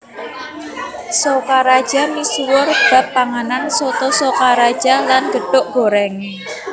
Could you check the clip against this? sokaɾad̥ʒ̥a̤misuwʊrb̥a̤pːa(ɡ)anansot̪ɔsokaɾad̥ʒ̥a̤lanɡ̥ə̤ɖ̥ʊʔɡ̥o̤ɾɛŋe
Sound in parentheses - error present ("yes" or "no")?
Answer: yes